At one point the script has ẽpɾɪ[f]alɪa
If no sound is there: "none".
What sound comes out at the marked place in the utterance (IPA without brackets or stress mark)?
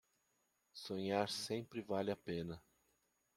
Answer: v